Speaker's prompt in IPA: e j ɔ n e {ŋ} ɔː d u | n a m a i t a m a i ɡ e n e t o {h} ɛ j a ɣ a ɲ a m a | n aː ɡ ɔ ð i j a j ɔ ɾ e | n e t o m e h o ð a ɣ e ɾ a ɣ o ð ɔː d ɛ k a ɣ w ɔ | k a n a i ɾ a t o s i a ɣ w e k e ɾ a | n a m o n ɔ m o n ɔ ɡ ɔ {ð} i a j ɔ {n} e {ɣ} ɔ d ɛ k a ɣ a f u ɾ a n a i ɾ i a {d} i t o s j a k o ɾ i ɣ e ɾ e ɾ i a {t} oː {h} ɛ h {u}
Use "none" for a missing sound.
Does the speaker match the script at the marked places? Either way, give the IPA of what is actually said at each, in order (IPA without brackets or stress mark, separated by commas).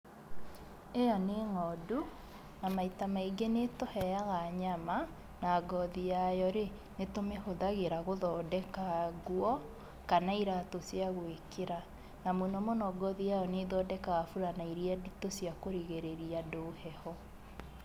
ŋ, h, ð, n, ð, d, d, h, ɔ